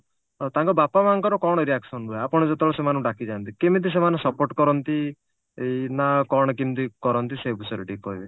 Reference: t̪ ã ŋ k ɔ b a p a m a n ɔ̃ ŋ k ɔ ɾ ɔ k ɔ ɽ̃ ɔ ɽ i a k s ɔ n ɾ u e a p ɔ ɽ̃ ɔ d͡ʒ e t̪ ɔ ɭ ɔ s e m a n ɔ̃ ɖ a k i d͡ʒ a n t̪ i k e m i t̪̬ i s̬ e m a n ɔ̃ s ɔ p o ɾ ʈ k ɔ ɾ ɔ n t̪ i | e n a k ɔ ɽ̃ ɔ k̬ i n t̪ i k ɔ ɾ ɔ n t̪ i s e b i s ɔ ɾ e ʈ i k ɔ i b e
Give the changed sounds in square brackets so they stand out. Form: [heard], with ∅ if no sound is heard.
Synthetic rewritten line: t̪ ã ŋ k ɔ b a p a m a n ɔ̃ ŋ k ɔ ɾ ɔ k ɔ ɽ̃ ɔ [ɾ] i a k s ɔ n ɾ u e a p ɔ ɽ̃ ɔ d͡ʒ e t̪ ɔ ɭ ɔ s e m a n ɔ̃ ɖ a k i d͡ʒ a n t̪ i k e m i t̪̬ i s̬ e m a n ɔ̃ s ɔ p o ɾ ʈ k ɔ ɾ ɔ n t̪ i | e n a k ɔ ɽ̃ ɔ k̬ i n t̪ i k ɔ ɾ ɔ n t̪ i s e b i s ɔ ɾ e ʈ i k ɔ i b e

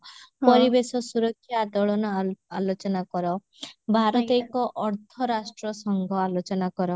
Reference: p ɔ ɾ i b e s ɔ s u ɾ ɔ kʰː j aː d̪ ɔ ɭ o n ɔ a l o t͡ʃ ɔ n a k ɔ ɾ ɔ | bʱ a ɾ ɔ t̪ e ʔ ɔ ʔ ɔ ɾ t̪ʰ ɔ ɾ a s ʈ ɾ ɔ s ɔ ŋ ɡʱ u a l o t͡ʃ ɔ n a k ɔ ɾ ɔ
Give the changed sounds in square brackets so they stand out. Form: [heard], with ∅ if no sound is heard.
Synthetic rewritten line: p ɔ ɾ i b e s ɔ s u ɾ ɔ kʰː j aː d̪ ɔ ɭ [ɔ] n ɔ a l o t͡ʃ ɔ n a k ɔ ɾ ɔ | bʱ a ɾ ɔ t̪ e [k] ɔ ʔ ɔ ɾ t̪ʰ ɔ ɾ a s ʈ ɾ ɔ s ɔ ŋ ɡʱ [ɔ] a l o t͡ʃ ɔ n a k ɔ ɾ ɔ

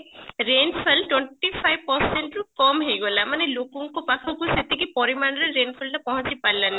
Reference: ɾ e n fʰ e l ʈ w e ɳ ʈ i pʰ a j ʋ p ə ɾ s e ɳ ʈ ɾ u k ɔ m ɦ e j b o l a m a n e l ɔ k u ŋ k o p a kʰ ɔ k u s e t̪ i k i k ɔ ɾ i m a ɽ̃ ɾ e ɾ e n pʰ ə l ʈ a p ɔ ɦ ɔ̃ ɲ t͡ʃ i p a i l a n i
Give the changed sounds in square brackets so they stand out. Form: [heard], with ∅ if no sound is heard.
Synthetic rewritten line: ɾ e n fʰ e l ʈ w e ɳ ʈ i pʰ a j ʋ p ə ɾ s e ɳ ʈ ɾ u k ɔ m ɦ e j [ɡ] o l a m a n e l [o] k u ŋ k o p a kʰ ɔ k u s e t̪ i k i [p] ɔ ɾ i m a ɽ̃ ɾ e ɾ e n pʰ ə l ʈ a p ɔ ɦ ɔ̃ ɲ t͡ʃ i p a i l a n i

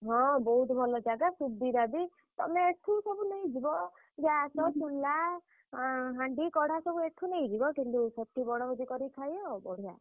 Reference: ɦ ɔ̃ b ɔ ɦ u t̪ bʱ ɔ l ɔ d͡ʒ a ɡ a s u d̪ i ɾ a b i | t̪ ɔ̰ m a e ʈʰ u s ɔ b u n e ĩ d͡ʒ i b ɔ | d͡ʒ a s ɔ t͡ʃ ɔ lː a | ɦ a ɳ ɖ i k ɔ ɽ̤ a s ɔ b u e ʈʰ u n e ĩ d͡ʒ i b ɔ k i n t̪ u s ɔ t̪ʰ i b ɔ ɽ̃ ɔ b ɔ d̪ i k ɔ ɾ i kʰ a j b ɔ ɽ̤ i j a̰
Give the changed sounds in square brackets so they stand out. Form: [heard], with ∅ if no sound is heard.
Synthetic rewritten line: ɦ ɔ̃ b ɔ ɦ u t̪ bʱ ɔ l ɔ d͡ʒ a ɡ a s u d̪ i ɾ a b i | t̪ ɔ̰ m [e] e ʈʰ u s ɔ b u n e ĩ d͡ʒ i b ɔ | d͡ʒ a s ɔ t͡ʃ [u] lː a | ɦ a ɳ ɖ i k ɔ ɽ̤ a s ɔ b u e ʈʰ u n e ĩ d͡ʒ i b ɔ k i n t̪ u s ɔ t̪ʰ i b ɔ ɽ̃ ɔ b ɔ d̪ i k ɔ ɾ i kʰ a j b ɔ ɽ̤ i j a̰

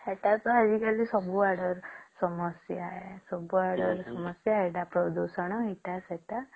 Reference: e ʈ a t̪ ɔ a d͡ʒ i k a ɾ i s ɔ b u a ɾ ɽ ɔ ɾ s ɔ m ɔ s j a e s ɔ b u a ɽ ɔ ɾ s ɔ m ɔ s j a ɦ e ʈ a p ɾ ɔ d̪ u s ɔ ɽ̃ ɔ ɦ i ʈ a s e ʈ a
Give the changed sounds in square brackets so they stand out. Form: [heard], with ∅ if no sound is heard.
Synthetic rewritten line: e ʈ a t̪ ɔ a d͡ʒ i k a [l] i s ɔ b u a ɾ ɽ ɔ ɾ s ɔ m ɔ s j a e s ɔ b u a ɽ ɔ ɾ s ɔ m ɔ s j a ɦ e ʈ a p ɾ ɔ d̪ u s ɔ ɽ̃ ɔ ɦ i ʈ a s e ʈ a

